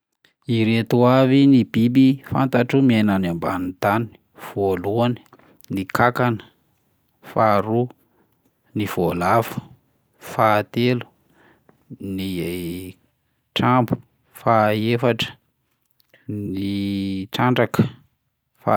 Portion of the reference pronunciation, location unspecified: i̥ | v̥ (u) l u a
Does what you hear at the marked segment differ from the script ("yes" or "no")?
yes